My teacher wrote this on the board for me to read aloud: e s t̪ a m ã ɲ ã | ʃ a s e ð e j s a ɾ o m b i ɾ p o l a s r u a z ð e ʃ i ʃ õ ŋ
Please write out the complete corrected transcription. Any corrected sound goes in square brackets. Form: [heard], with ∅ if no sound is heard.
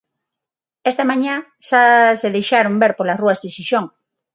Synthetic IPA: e s t̪ a m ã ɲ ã | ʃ a s e ð e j [ʃ] a ɾ o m b [e] ɾ p o l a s r u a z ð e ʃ i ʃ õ ŋ